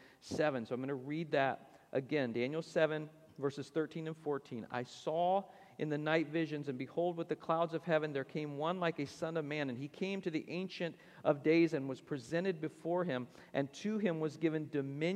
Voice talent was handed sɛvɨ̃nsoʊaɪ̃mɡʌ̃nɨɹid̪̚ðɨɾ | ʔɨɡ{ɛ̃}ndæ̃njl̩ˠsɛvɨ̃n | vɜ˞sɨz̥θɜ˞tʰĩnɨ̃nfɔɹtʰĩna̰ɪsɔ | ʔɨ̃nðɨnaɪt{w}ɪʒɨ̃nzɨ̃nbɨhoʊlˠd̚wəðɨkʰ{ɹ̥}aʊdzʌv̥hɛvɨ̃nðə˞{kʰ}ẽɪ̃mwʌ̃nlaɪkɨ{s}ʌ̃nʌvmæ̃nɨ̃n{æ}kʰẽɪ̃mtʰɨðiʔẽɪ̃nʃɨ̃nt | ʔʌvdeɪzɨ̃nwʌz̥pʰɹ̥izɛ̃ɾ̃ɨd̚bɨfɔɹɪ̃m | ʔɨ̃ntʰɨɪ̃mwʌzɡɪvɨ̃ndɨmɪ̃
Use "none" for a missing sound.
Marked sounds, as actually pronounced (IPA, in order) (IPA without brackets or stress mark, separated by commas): ɛ̃, v, l̥, kʰ, s, i